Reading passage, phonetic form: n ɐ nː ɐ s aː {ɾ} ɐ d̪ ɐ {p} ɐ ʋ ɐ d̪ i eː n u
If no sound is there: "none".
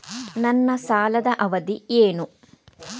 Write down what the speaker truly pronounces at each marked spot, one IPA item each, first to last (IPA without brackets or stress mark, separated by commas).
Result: l, ʔ